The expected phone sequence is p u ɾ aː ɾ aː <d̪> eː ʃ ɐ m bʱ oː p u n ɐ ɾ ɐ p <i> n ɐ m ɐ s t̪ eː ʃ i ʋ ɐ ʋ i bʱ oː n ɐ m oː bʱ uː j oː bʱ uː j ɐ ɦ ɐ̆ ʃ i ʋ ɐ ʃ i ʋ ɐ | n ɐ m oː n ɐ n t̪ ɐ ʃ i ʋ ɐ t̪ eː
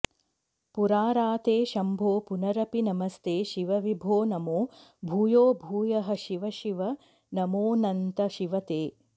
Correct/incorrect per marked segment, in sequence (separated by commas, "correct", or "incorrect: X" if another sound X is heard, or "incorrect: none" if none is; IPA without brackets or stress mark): incorrect: t̪, correct